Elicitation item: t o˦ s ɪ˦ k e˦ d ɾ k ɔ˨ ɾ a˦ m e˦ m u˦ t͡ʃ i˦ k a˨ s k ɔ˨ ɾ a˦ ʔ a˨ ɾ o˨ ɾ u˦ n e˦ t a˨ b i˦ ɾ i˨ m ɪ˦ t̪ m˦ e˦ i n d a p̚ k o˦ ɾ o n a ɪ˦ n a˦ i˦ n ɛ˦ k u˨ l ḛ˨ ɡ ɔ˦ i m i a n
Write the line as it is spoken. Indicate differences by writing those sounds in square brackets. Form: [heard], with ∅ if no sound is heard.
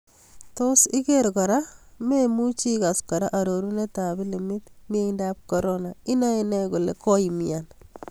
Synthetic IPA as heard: t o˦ s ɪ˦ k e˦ [∅] ɾ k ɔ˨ ɾ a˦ m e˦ m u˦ t͡ʃ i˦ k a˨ s k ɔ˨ ɾ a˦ ʔ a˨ ɾ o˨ ɾ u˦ n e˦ t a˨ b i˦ [l] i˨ m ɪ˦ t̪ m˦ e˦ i n d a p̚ k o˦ ɾ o n a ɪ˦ n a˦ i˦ n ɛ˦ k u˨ l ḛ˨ [k] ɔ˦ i m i a n